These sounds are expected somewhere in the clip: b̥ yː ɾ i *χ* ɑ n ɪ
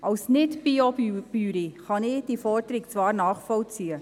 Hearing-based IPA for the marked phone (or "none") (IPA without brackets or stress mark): χ